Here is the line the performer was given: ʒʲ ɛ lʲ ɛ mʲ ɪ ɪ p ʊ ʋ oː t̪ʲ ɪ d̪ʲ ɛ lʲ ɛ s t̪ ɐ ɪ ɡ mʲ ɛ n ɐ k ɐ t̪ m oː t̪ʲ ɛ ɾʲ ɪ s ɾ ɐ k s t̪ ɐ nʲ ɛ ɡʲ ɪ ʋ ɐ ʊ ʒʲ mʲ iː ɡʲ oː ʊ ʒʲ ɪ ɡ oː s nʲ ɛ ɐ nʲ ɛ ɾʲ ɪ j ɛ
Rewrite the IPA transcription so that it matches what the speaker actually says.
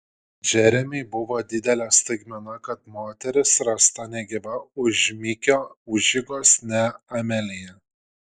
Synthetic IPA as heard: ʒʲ ɛ ɾʲ ɛ mʲ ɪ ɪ b ʊ ʋ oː d̪ʲ ɪ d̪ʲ ɛ lʲ ɛ s t̪ ɐ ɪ ɡ mʲ ɛ n ɐ k ɐ t̪ m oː t̪ʲ ɛ ɾʲ ɪ s ɾ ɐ s t̪ ɐ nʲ ɛ ɡʲ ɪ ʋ ɐ ʊ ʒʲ mʲ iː kʲ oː ʊ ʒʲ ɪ ɡ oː s nʲ ɛ ɐ mʲ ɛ lʲ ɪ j ɛ

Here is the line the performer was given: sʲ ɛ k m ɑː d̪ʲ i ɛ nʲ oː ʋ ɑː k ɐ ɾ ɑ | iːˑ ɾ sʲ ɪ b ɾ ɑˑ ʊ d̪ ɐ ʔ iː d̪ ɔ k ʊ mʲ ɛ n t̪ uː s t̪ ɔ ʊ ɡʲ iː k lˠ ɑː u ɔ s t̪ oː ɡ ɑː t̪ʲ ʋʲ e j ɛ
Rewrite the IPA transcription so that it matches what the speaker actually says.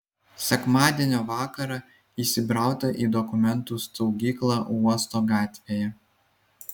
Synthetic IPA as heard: sʲ ɛ k m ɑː d̪ʲ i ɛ nʲ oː ʋ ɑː k ɐ ɾ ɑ | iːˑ sʲ ɪ b ɾ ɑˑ ʊ t̪ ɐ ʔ iː d̪ ɔ k ʊ mʲ ɛ n t̪ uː s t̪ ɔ ʊ ɡʲ iː k lˠ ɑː u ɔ s t̪ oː ɡ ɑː t̪ʲ ʋʲ e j ɛ

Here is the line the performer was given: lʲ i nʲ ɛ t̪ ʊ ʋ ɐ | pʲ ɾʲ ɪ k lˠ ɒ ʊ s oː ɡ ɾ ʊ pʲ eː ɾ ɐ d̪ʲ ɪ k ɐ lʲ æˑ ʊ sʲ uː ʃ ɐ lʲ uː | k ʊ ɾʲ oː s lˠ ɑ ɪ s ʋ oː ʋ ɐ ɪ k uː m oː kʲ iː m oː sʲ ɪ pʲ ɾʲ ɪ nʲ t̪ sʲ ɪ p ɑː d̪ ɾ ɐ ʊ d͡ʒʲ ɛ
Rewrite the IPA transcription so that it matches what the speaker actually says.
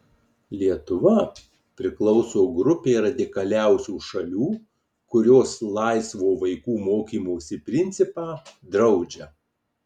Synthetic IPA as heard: lʲ i ɛ t̪ ʊ ʋ ɐ | pʲ ɾʲ ɪ k lˠ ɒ ʊ s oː ɡ ɾ ʊ pʲ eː ɾ ɐ d̪ʲ ɪ k ɐ lʲ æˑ ʊ sʲ uː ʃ ɐ lʲ uː | k ʊ ɾʲ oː s lˠ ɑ ɪ s ʋ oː ʋ ɐ ɪ k uː m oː kʲ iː m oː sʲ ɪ pʲ ɾʲ ɪ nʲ t̪ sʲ ɪ p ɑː d̪ ɾ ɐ ʊ d͡ʒʲ ɛ

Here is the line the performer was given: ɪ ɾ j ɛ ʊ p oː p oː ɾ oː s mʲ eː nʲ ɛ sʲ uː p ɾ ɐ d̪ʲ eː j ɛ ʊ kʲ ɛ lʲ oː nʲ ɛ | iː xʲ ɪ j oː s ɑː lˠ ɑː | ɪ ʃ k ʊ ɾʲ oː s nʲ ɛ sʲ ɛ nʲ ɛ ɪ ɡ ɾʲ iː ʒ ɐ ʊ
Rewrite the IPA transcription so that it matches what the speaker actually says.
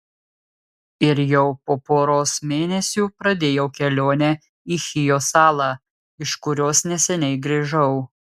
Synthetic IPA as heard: ɪ ɾ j ɛ ʊ p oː p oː ɾ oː s mʲ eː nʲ ɛ sʲ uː p ɾ ɐ d̪ʲ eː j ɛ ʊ kʲ ɛ lʲ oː nʲ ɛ | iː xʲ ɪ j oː s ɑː lˠ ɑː | ɪ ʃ k ʊ ɾʲ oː s nʲ ɛ sʲ ɛ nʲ ɛ ɪ ɡ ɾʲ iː ʒ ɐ ʊ

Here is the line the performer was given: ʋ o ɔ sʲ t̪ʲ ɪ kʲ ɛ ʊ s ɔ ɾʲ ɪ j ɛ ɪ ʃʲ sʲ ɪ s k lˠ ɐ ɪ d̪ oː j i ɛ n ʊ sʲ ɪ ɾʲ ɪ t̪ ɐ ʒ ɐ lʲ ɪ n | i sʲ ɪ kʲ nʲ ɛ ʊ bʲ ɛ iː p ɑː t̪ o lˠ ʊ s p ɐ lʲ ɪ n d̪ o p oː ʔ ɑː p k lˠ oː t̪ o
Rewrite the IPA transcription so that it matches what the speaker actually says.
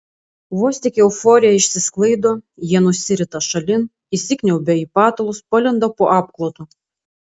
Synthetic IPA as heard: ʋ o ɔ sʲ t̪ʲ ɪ kʲ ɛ ʊ f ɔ ɾʲ ɪ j ɛ ɪ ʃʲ sʲ ɪ s k lˠ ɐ ɪ d̪ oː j i ɛ n ʊ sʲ ɪ ɾʲ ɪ t̪ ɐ ʃ ɐ lʲ ɪ n | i sʲ ɪ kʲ nʲ ɛ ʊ bʲ ɛ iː p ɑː t̪ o lˠ ʊ s p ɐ lʲ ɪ n d̪ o p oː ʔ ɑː p k lˠ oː t̪ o

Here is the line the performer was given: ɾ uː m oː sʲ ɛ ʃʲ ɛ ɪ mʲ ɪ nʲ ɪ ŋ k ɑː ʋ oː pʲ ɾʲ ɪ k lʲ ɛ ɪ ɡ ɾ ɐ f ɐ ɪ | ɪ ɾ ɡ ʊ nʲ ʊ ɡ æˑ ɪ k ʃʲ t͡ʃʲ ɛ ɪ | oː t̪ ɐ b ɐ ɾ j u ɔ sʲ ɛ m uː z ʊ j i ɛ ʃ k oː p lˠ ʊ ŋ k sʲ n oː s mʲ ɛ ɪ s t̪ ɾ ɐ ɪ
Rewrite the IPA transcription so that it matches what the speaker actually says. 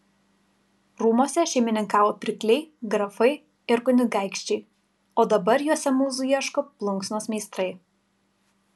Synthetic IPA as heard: ɾ uː m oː sʲ ɛ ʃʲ ɛ ɪ mʲ ɪ nʲ ɪ ŋ k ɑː ʋ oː pʲ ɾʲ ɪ k lʲ ɛ ɪ ɡ ɾ ɐ f ɐ ɪ | ɪ ɾ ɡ ʊ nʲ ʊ ɡ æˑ ɪ k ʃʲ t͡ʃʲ ɛ ɪ | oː d̪ ɐ b ɐ ɾ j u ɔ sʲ ɛ m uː z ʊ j i ɛ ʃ k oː p lˠ ʊ ŋ k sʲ n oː s mʲ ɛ ɪ s t̪ ɾ ɐ ɪ

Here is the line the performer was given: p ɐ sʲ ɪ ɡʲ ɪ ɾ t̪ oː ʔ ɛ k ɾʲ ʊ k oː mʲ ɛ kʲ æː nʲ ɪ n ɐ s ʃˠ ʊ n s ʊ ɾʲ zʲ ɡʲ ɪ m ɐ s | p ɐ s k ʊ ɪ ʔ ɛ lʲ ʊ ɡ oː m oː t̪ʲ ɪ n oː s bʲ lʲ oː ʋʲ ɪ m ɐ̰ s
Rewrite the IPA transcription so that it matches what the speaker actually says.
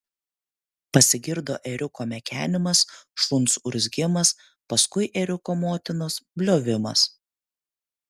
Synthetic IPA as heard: p ɐ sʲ ɪ ɡʲ ɪ ɾ d̪ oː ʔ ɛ ɾʲ ʊ k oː mʲ ɛ kʲ æː nʲ ɪ m ɐ s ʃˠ ʊ n s ʊ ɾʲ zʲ ɡʲ ɪ m ɐ s | p ɐ s k ʊ ɪ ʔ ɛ ɾʲ ʊ k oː m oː t̪ʲ ɪ n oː s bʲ lʲ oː ʋʲ ɪ m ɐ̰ s

